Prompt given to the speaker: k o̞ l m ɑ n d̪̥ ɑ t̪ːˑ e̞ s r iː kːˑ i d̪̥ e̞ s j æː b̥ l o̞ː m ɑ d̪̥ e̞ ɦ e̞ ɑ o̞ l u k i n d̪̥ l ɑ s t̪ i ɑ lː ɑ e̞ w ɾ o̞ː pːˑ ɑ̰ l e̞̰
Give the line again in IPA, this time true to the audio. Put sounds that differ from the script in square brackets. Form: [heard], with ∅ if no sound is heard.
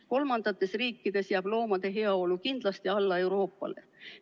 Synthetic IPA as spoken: k o̞ l m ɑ n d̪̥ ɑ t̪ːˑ e̞ s r iː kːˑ i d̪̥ e̞ s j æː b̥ l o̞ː m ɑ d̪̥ e̞ ɦ e̞ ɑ o̞ l u k i n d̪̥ l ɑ s t̪ i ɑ lː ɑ e̞ w ɾ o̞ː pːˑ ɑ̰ l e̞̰